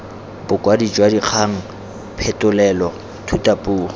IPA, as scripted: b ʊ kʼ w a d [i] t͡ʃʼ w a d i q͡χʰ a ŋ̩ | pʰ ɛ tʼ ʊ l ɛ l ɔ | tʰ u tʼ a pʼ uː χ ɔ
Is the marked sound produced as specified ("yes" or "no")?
yes